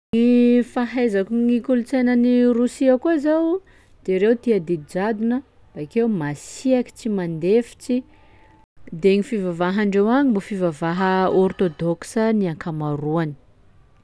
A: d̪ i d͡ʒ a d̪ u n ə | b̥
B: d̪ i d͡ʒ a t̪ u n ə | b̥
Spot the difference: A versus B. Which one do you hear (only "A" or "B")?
A